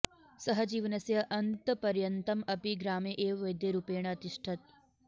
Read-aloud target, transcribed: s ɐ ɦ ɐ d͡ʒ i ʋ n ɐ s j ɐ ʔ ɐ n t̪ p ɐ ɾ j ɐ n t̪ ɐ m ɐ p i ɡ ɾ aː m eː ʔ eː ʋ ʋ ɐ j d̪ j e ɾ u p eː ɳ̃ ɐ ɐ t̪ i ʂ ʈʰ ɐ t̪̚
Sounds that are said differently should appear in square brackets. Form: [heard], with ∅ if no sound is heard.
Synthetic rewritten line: s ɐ ɦ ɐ d͡ʒ [iː] ʋ n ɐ s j ɐ ʔ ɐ n t̪ p ɐ ɾ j ɐ n t̪ ɐ m ɐ p i ɡ ɾ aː m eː ʔ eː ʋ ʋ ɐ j d̪ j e ɾ u p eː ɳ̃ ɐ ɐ t̪ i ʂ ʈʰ ɐ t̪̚